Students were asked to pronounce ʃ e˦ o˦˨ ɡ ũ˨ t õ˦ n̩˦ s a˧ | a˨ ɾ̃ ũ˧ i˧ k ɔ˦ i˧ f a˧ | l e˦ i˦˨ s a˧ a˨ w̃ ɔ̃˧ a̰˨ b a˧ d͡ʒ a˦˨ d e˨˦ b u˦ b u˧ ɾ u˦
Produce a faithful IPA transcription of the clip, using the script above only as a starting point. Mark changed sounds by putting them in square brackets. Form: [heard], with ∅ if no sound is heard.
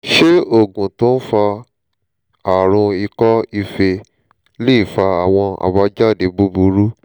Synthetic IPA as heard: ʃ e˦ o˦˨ ɡ ũ˨ t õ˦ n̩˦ [f] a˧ | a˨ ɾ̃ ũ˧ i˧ k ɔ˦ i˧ f [e˧] | l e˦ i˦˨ [f] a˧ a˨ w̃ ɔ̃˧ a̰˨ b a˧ d͡ʒ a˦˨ d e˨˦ b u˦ b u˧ ɾ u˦